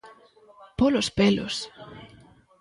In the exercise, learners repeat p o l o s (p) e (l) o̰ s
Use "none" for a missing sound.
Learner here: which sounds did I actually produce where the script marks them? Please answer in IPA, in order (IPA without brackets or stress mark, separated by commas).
p, l